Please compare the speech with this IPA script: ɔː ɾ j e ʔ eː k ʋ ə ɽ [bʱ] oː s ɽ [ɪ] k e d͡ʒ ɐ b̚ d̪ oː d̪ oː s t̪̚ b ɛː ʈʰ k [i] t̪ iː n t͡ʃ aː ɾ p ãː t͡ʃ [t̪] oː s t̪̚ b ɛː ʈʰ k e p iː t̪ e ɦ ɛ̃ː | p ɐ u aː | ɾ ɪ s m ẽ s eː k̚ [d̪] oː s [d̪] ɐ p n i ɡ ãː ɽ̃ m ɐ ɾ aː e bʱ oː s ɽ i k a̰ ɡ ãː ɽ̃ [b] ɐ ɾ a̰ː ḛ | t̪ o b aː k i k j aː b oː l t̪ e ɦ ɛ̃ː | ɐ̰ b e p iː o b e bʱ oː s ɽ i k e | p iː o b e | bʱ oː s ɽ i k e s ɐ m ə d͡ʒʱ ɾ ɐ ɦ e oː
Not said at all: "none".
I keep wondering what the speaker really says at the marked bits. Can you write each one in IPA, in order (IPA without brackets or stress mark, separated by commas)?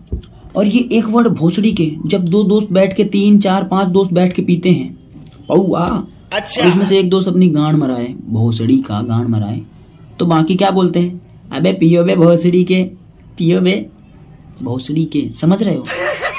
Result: bʱ, i, e, d̪, d̪, t̪, m